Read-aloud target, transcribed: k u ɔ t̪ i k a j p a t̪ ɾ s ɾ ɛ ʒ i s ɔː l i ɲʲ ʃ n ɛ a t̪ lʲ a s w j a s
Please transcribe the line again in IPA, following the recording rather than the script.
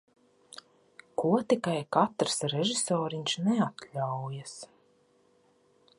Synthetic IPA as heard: k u ɔ t̪ i k a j k a t̪ ɾ s ɾ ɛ ʒ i s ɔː ɾ i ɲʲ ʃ n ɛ a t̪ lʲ a w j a s